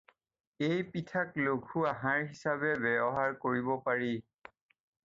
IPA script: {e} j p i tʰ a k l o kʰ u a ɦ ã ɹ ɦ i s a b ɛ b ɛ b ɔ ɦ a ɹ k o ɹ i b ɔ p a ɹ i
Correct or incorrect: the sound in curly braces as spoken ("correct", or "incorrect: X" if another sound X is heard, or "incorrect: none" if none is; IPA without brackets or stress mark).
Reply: correct